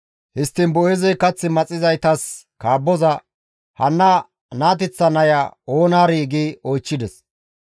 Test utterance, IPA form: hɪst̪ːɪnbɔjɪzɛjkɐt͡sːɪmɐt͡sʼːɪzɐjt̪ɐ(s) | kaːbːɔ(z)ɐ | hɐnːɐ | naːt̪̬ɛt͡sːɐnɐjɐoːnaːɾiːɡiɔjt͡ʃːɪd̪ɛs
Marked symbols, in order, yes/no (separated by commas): yes, yes